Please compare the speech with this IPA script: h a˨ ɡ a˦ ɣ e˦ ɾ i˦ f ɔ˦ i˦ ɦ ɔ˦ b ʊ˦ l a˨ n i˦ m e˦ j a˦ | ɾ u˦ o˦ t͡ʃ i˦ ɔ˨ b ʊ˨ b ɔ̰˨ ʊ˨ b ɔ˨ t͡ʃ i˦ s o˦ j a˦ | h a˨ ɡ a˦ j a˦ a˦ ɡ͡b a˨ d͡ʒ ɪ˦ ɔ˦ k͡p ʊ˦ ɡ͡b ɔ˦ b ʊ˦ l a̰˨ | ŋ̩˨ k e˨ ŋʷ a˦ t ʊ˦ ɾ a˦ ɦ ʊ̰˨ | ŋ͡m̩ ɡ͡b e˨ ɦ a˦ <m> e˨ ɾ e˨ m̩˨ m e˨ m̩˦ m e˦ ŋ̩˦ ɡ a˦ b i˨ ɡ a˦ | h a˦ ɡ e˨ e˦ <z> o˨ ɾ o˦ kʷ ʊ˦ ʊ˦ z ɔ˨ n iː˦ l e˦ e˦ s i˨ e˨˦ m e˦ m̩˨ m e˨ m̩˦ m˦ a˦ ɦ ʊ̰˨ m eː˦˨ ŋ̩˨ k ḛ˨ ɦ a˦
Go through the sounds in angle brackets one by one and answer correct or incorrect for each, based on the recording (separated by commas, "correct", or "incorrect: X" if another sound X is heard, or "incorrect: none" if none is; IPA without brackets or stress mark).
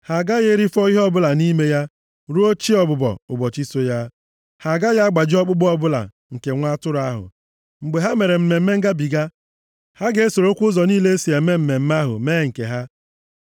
correct, incorrect: s